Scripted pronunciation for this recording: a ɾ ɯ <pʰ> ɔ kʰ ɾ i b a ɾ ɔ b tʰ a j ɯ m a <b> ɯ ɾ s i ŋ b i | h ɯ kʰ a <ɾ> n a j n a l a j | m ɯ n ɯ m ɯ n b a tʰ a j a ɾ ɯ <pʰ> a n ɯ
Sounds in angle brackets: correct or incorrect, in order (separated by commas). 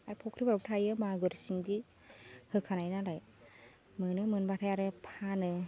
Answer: correct, incorrect, incorrect, correct